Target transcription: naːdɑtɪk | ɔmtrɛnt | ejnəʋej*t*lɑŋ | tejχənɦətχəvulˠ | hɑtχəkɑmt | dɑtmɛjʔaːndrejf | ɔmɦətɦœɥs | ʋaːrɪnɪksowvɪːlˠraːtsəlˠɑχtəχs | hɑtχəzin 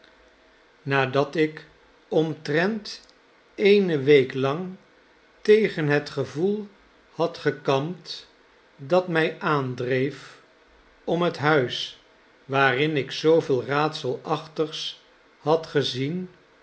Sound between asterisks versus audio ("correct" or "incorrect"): incorrect